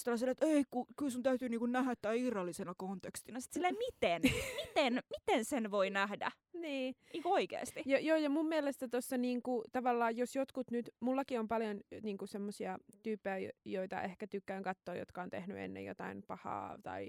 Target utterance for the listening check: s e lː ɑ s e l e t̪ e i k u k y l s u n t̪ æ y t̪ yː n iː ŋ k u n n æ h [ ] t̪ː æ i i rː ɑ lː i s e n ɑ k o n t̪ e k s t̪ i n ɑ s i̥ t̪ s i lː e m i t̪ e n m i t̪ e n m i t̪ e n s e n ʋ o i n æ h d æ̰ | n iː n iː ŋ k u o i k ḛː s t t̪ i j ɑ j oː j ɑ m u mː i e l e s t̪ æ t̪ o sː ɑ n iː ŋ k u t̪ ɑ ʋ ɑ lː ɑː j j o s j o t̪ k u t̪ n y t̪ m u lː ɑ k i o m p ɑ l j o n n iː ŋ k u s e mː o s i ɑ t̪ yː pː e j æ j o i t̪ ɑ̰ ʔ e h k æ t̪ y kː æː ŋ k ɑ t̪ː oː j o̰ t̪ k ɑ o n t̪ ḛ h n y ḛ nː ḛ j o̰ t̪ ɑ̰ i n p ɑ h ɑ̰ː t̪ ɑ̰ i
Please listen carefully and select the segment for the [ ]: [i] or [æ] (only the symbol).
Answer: æ